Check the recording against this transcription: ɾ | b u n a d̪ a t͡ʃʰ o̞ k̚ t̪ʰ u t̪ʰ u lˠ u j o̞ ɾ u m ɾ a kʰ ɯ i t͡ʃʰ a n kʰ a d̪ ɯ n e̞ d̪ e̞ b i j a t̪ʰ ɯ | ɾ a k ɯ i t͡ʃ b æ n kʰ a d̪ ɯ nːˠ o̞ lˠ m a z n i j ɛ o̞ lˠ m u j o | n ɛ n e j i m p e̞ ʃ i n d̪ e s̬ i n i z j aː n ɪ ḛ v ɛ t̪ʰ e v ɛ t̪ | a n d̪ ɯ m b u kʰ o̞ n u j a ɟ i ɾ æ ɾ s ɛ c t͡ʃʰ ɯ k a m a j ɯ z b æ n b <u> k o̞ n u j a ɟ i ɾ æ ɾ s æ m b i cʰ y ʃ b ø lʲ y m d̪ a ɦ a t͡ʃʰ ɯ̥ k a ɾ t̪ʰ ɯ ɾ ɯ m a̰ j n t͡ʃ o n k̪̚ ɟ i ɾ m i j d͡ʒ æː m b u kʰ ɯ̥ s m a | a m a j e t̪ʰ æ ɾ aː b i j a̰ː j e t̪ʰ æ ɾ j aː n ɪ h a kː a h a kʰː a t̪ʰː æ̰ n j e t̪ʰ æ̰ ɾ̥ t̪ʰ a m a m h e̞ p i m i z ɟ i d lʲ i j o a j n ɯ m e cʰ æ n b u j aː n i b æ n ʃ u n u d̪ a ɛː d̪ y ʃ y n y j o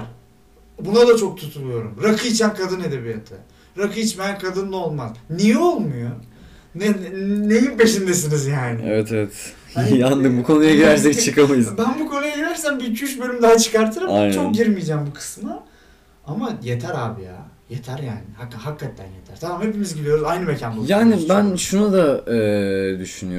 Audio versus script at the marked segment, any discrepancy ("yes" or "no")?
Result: no